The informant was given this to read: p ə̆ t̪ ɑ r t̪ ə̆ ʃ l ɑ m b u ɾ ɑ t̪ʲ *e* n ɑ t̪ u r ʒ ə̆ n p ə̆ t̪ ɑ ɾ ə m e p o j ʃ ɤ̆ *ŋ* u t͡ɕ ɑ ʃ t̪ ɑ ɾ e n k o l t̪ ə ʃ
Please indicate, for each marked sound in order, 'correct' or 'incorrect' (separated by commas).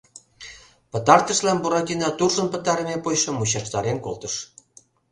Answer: incorrect, incorrect